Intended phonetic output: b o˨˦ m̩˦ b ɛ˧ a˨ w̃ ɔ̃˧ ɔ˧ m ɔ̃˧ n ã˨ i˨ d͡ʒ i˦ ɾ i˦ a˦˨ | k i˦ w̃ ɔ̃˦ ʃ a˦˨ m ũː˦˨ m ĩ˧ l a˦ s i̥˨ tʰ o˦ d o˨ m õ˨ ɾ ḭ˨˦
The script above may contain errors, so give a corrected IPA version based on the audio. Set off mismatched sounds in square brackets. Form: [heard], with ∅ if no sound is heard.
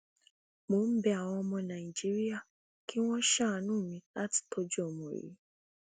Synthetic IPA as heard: [m] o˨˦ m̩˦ b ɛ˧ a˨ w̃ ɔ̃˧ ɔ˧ m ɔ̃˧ n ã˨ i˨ d͡ʒ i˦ ɾ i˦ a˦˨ | k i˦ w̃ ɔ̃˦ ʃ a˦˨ [n] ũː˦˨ m ĩ˧ l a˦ [t] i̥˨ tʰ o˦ [d͡ʒ] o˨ m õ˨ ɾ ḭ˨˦